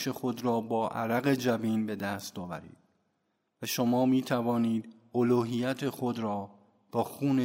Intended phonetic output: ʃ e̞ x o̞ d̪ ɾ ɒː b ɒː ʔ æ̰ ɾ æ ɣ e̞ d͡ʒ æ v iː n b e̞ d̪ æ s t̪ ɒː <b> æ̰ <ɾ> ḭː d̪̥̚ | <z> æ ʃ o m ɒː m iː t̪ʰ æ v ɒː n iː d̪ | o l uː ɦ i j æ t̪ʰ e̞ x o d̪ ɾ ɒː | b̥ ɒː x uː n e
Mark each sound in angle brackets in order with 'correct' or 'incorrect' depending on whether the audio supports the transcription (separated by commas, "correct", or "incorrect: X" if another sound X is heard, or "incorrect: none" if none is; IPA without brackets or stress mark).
incorrect: v, correct, incorrect: v